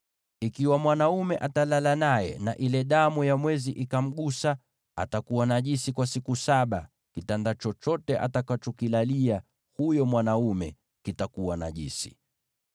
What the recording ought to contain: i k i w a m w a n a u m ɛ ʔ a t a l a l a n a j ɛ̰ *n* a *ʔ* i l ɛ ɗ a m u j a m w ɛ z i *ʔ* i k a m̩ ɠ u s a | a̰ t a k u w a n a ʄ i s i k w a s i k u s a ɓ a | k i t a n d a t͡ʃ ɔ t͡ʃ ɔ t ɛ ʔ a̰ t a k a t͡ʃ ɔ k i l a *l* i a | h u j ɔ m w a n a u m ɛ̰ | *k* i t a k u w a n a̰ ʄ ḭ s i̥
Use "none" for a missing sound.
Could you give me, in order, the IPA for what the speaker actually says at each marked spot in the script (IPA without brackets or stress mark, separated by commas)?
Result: n, ʔ, ʔ, l, k